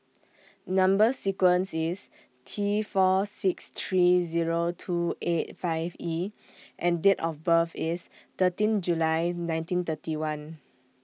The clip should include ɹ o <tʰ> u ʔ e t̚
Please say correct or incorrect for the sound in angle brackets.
correct